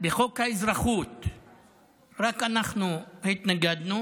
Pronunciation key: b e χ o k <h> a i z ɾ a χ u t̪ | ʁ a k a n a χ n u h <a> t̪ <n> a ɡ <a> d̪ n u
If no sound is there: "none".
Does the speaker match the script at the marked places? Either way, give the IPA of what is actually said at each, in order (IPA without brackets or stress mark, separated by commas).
h, i, n, a